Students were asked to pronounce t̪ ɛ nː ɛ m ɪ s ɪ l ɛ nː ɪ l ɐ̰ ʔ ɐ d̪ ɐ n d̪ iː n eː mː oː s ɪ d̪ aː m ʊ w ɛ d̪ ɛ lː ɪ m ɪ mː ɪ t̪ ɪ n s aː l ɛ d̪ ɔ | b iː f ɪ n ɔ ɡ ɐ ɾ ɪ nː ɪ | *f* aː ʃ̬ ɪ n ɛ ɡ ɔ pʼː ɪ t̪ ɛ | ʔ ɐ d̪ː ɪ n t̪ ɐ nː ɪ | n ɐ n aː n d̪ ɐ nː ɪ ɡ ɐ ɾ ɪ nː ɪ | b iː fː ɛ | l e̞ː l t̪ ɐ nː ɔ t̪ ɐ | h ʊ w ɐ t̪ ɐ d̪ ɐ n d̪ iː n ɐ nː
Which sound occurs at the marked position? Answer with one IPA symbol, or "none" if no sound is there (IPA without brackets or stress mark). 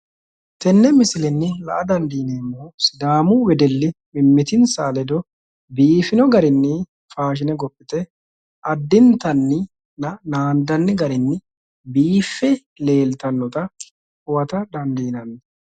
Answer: f